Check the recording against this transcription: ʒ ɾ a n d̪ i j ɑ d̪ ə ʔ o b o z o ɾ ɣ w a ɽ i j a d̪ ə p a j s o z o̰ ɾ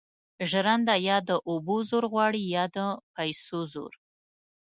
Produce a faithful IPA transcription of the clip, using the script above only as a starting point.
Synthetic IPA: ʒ ɾ a n d̪ a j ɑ d̪ ə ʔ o b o z o ɾ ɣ w ɑ ɽ i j ɑ d̪ ə p a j s o z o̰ ɾ